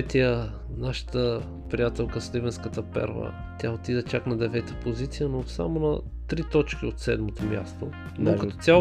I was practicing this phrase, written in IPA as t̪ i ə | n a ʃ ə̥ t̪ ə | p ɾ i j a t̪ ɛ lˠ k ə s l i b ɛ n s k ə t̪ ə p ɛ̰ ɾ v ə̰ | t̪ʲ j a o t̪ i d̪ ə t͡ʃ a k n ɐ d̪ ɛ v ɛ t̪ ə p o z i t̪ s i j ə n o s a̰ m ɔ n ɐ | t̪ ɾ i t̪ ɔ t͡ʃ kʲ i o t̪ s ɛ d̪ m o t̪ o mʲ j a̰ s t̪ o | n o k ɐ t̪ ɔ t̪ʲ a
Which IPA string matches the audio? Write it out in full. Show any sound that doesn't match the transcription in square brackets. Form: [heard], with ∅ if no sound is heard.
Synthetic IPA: t̪ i ə | n a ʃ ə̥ t̪ ə | p ɾ i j a t̪ ɛ lˠ k ə s l i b ɛ n s k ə t̪ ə p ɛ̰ ɾ v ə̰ | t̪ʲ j a o t̪ i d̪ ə t͡ʃ a k n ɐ d̪ ɛ v ɛ t̪ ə p o z i t̪ s i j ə n o s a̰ m [o] n ɐ | t̪ ɾ i t̪ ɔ t͡ʃ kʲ i o t̪ s ɛ d̪ m o t̪ o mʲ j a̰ s t̪ o | n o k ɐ t̪ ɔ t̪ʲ a